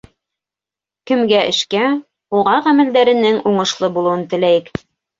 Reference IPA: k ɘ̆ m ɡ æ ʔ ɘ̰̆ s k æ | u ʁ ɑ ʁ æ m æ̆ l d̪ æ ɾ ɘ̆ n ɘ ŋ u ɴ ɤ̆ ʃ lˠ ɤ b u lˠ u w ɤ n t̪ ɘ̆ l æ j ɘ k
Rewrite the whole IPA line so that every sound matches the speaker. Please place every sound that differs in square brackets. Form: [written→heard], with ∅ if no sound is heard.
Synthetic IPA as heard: k ɘ̆ m ɡ æ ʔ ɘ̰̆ [s→ʃ] k æ | u ʁ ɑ ʁ æ m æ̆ l d̪ æ ɾ ɘ̆ n ɘ ŋ u ɴ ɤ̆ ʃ lˠ ɤ b u lˠ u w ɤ n t̪ ɘ̆ l æ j ɘ k